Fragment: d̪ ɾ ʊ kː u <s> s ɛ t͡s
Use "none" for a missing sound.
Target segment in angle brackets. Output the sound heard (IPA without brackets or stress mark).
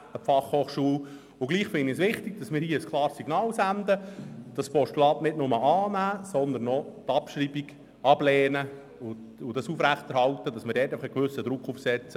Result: f